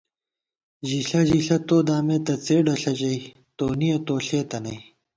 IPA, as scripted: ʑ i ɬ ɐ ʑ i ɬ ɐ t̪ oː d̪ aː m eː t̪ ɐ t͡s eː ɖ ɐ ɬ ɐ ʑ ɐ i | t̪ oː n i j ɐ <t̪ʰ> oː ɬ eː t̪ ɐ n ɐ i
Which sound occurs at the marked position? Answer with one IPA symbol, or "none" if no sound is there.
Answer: t̪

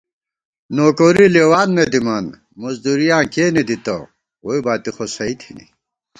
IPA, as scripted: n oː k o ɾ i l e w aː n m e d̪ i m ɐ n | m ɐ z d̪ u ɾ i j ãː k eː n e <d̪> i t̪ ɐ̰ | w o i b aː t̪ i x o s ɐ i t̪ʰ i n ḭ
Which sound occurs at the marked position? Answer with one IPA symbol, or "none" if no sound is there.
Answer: d̪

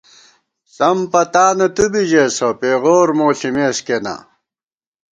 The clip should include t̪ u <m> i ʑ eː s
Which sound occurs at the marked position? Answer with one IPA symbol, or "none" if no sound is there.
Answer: b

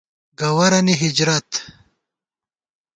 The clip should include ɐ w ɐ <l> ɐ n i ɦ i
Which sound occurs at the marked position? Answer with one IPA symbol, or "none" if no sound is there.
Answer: ɾ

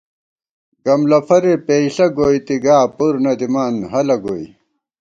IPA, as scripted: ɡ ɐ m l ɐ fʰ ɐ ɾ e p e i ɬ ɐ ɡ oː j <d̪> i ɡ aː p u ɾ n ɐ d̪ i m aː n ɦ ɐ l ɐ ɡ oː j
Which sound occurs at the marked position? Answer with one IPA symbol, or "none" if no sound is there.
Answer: t̪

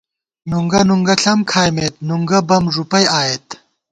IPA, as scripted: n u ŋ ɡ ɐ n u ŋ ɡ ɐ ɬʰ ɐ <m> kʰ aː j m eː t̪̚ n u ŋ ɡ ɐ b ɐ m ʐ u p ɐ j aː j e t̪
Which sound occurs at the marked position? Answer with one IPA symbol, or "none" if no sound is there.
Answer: m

